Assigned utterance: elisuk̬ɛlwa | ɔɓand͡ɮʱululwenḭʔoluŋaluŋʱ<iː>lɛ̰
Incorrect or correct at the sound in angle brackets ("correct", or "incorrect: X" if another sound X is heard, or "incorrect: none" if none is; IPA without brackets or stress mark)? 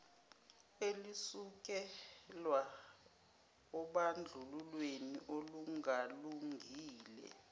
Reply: correct